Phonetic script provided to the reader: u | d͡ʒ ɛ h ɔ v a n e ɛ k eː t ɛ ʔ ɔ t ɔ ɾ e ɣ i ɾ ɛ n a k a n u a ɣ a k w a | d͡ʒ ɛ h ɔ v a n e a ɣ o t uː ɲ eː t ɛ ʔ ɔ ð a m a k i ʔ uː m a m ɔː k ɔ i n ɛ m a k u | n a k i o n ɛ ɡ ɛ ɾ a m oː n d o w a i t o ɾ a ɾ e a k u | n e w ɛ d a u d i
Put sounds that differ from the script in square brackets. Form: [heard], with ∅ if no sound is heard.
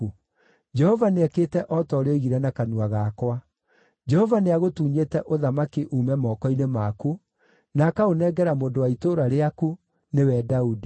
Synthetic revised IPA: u | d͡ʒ ɛ h ɔ v a n e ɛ k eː t ɛ ʔ ɔ t ɔ ɾ e ɣ i ɾ ɛ n a k a n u a ɣ a k w a | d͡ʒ ɛ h ɔ v a n e a ɣ o t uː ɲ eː t ɛ ʔ [o] ð a m a k i ʔ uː m [ɛ] m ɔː k ɔ i n [e] m a k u | n a k [a] o n ɛ ɡ ɛ ɾ a m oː n d o w a i t o ɾ a ɾ e a k u | n e w ɛ d a u d i